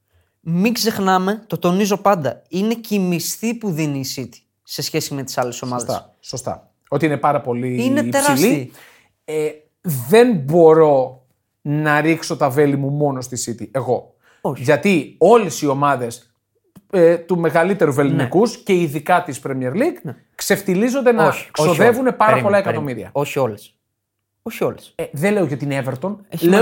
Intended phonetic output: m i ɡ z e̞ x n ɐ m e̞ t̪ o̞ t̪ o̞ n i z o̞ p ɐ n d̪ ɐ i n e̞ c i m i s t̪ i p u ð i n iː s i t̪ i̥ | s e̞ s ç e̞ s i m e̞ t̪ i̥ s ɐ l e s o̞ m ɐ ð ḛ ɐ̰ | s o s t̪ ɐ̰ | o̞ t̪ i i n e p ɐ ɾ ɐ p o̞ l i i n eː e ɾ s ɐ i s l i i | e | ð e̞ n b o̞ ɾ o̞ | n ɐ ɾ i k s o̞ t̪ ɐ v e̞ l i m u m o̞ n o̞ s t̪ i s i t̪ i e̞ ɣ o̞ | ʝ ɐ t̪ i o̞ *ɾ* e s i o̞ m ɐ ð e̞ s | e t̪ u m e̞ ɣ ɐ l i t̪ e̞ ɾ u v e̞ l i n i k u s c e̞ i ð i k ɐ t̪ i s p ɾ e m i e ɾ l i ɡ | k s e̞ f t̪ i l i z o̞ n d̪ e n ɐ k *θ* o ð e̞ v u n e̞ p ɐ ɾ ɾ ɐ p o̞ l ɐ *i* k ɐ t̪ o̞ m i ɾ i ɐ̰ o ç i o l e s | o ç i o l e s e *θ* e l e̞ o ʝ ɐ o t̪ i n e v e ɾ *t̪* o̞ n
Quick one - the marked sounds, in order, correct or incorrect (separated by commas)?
incorrect, incorrect, incorrect, incorrect, correct